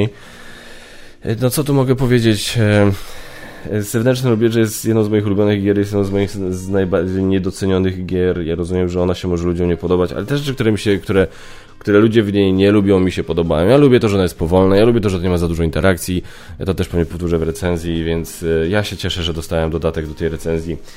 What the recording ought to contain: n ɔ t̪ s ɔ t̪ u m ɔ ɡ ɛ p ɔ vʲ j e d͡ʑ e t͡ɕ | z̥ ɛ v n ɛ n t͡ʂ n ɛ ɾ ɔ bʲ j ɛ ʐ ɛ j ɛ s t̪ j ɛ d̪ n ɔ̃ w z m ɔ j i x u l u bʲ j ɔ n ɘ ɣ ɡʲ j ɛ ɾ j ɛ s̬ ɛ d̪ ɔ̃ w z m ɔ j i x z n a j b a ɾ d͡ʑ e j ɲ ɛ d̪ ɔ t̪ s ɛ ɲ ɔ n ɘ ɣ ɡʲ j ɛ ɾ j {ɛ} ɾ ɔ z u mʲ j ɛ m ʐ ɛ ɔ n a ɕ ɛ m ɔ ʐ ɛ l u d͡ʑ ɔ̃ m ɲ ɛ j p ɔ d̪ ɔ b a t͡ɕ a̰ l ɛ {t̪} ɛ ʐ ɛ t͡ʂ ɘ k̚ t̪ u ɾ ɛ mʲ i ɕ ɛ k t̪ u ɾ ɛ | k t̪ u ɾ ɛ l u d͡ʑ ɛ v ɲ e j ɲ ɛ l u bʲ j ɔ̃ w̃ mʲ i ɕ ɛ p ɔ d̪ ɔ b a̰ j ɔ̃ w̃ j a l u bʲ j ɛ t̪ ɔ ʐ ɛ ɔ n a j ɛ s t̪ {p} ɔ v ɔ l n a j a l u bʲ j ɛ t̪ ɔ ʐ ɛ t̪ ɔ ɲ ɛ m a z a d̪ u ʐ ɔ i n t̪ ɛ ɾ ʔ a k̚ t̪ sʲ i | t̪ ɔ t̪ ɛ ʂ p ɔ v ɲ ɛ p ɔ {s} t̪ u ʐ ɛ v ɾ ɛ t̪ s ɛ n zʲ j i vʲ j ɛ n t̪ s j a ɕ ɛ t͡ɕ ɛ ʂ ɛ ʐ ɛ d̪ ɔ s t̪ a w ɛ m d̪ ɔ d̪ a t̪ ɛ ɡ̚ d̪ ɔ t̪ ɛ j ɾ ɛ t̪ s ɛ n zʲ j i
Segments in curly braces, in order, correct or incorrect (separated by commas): incorrect, correct, correct, incorrect